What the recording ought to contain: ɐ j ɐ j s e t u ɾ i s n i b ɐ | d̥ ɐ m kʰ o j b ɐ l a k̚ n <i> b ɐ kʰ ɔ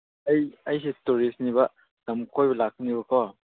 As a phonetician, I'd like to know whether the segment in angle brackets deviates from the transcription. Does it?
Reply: no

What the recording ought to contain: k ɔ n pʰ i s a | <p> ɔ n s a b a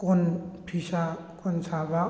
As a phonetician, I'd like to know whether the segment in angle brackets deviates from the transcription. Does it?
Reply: yes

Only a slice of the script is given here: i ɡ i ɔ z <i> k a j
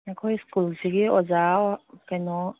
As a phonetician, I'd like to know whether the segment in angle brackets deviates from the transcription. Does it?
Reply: yes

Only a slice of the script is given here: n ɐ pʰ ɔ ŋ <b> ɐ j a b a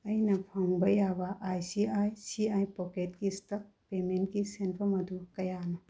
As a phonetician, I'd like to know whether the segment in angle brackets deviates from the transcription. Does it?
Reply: no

